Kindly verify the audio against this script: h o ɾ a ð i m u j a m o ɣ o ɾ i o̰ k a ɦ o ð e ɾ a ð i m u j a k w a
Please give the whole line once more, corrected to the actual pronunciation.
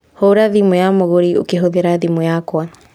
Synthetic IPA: h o ɾ a ð i m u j a m o ɣ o ɾ i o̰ k e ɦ o ð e ɾ a ð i m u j a k w a